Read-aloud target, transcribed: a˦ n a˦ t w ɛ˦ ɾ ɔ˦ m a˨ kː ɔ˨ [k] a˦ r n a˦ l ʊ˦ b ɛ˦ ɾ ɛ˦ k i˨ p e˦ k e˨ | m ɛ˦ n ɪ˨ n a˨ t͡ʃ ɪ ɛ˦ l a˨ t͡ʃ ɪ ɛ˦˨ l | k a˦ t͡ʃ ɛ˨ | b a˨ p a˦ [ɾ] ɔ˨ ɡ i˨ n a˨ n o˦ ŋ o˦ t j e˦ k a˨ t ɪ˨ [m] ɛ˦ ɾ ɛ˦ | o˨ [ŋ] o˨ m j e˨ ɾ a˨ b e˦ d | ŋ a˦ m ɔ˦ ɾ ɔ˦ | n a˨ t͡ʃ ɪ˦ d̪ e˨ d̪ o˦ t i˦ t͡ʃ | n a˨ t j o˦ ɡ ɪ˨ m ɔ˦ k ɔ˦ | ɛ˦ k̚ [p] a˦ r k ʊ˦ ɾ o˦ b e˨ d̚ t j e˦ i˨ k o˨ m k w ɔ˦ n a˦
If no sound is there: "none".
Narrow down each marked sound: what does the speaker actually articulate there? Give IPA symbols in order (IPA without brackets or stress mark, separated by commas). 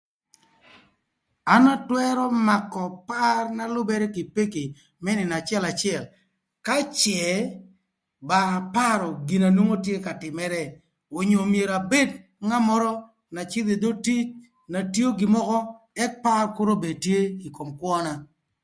p, ɾ, m, ɲ, p